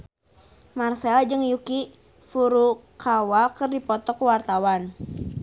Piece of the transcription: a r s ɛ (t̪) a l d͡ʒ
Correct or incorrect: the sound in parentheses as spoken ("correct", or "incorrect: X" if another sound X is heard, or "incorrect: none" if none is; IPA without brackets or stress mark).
incorrect: none